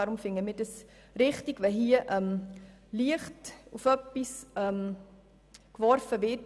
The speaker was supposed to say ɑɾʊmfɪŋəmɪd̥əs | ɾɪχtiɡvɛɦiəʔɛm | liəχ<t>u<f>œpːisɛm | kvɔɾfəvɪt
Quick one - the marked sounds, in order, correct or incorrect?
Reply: correct, correct

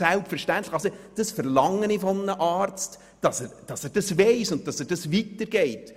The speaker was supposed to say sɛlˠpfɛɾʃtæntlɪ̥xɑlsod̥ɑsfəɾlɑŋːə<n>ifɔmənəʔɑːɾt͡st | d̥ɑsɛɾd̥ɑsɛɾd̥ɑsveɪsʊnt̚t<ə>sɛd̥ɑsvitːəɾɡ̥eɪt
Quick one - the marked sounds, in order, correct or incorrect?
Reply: correct, incorrect

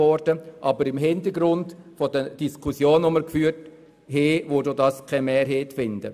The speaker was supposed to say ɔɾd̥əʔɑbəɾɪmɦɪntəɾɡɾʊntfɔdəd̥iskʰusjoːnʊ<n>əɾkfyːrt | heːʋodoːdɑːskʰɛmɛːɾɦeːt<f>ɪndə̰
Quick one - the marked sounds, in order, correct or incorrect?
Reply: incorrect, correct

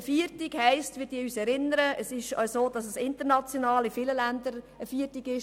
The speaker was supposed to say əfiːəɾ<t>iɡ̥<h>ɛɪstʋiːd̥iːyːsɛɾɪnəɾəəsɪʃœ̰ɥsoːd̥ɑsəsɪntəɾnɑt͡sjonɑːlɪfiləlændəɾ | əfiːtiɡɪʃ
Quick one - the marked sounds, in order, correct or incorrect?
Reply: correct, correct

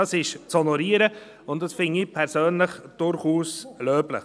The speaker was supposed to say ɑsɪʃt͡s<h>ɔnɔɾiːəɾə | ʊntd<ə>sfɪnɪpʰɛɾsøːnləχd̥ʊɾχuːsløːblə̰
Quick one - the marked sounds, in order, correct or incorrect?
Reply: correct, incorrect

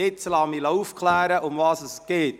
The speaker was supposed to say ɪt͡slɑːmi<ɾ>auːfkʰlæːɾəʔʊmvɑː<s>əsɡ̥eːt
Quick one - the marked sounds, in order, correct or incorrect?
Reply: incorrect, correct

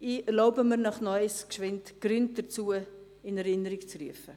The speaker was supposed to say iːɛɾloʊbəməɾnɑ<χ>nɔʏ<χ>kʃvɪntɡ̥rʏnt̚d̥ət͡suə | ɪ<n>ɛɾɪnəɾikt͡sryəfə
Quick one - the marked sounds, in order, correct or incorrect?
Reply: correct, incorrect, correct

